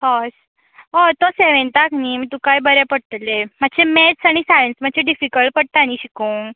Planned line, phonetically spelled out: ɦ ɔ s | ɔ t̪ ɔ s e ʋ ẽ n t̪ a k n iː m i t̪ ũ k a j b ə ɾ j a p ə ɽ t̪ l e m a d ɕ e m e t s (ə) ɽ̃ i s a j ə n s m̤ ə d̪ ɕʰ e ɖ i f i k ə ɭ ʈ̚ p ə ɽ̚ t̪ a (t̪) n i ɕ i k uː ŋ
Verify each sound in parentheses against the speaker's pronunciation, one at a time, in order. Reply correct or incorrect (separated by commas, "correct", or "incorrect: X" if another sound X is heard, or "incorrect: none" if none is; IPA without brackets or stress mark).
incorrect: a, incorrect: none